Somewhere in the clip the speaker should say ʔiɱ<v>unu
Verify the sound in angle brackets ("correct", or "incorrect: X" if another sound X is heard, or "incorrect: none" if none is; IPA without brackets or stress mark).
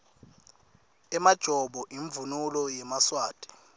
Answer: correct